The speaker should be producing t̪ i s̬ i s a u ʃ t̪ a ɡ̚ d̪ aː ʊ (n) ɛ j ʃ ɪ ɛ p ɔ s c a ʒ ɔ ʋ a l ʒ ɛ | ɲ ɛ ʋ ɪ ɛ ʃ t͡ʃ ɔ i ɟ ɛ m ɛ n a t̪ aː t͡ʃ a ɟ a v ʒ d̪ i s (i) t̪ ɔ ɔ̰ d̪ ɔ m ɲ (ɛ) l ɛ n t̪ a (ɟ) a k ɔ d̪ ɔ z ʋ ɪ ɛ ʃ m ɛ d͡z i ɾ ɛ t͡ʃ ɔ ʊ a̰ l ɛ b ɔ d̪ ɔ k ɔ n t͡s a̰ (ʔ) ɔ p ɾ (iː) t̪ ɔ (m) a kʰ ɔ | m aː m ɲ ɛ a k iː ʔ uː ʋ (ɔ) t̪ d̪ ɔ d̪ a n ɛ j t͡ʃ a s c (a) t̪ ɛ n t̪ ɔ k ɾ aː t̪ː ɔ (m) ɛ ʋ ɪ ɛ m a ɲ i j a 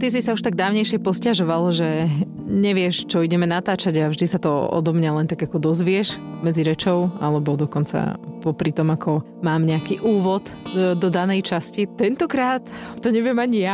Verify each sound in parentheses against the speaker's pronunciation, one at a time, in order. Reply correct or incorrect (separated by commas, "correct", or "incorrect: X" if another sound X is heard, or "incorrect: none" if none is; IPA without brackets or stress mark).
incorrect: ɲ, incorrect: a, incorrect: a, incorrect: ɡ, incorrect: p, incorrect: i, correct, correct, incorrect: i, incorrect: ɲ